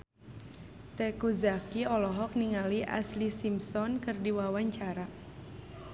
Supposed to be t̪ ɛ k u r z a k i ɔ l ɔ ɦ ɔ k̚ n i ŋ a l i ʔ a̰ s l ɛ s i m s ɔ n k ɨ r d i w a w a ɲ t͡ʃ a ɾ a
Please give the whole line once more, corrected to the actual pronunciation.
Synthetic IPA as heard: t̪ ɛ k u z a k i ɔ l ɔ ɦ ɔ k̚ n i ŋ a l i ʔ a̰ s l i s i m s ɔ n k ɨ r d i w a w a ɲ t͡ʃ a ɾ a